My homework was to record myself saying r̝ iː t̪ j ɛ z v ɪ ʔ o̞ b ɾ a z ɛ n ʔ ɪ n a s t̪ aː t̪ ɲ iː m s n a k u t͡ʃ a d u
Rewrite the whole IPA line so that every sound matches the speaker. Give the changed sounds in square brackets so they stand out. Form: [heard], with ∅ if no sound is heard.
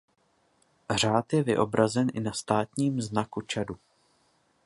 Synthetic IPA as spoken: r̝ [aː] t̪ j ɛ [∅] v ɪ ʔ o̞ b ɾ a z ɛ n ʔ ɪ n a s t̪ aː t̪ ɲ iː m [z] n a k u t͡ʃ a d u